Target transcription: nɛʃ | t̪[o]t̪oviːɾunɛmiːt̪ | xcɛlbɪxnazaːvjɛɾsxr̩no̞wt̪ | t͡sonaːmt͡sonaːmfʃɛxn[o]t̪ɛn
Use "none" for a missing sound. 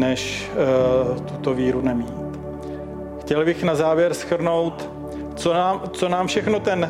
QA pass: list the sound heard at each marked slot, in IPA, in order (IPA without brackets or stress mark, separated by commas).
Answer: u, o